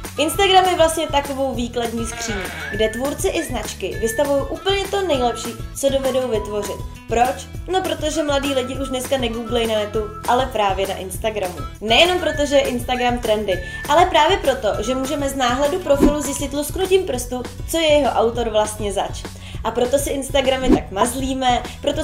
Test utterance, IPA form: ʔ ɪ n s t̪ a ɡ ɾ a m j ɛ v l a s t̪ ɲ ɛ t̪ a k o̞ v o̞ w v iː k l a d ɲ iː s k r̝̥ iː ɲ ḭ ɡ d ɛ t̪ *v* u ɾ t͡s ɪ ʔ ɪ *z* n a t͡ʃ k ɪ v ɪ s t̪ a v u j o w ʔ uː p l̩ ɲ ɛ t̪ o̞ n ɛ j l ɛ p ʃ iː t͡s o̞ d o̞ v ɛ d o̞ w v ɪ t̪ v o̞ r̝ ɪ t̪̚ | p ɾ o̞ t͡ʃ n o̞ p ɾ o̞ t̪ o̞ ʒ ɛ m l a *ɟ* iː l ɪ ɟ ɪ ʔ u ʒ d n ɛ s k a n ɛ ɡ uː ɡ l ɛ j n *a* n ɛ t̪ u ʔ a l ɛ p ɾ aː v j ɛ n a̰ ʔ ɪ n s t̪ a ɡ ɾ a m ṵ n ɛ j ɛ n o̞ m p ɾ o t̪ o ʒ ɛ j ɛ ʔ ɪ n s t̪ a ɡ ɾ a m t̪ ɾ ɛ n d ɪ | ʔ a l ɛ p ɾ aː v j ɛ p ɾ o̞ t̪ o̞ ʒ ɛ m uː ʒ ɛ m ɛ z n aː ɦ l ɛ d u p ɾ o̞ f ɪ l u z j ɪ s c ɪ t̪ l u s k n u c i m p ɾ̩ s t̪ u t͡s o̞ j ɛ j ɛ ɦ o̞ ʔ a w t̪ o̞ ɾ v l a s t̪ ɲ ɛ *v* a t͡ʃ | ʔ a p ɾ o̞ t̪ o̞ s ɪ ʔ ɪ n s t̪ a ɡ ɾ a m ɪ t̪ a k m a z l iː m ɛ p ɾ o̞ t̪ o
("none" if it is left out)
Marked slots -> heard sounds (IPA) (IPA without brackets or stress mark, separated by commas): v, z, d, a, z